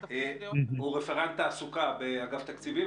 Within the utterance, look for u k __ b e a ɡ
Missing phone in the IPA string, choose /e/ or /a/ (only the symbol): a